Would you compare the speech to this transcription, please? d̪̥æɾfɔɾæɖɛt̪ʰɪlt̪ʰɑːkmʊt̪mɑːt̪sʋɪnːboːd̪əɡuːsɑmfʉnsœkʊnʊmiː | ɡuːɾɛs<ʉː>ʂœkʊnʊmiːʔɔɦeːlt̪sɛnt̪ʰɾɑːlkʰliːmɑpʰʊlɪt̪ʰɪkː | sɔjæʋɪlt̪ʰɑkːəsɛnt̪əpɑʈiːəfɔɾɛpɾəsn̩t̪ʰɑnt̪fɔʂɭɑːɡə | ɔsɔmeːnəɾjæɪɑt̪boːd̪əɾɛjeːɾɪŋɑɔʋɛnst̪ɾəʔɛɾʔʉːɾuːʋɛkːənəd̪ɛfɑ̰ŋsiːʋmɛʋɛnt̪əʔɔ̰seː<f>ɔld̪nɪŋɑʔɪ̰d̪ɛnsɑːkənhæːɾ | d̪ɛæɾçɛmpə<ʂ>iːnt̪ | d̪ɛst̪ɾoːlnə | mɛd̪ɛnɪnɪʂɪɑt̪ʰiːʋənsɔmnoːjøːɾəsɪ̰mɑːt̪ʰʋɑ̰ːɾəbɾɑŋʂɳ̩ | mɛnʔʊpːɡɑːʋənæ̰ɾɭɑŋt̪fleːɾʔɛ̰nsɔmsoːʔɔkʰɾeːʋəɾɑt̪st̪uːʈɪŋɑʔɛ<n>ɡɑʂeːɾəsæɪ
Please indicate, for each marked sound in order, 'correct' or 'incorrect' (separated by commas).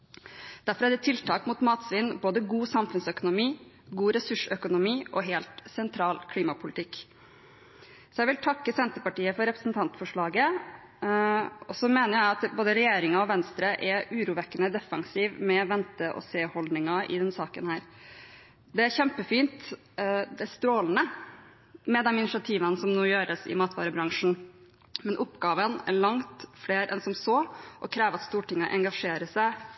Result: incorrect, incorrect, incorrect, incorrect